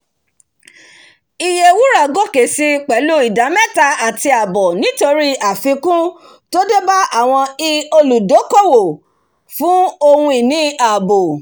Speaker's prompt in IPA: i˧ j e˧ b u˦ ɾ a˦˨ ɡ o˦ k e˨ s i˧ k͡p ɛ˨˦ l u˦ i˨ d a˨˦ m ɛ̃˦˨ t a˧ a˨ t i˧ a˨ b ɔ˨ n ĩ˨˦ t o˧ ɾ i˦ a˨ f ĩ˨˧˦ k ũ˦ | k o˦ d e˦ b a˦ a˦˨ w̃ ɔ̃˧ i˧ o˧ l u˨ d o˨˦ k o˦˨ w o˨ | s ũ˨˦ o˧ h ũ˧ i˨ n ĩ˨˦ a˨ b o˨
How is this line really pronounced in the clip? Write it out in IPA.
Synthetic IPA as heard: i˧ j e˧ w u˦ ɾ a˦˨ ɡ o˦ k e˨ s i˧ k͡p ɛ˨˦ l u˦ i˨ d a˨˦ m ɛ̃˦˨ t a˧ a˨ t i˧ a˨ b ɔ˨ n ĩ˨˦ t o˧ ɾ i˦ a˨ f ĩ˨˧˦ k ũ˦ | t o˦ d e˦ b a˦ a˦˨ w̃ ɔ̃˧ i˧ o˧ l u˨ d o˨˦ k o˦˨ w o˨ | f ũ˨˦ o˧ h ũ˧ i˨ n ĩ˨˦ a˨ b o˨